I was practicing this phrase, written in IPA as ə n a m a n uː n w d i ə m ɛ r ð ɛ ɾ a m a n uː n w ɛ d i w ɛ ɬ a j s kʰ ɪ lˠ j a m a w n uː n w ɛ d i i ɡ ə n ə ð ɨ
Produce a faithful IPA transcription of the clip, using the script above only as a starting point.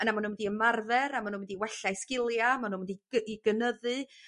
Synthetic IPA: ə n a m a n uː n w d i ə m a r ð ɛ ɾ a m a n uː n w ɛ d i w ɛ ɬ a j s k ɪ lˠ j a m a n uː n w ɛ d i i ɡ ə n ə ð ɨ